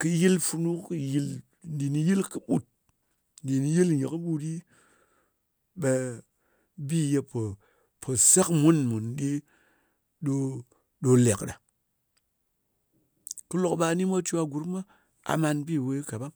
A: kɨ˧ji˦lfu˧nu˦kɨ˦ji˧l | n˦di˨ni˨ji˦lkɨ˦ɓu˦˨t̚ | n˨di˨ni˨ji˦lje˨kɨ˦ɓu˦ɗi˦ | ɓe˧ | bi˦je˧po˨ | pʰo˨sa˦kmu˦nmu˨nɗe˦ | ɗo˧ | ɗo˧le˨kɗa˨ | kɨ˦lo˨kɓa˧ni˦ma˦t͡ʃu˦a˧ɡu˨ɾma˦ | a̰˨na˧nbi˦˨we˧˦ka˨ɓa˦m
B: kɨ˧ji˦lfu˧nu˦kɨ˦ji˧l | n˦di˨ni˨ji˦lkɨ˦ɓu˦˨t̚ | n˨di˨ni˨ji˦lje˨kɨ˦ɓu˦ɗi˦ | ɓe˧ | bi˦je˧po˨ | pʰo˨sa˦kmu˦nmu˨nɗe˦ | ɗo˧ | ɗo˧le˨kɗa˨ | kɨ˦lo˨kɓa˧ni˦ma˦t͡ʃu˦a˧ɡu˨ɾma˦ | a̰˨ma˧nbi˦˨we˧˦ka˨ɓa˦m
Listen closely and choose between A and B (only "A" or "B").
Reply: B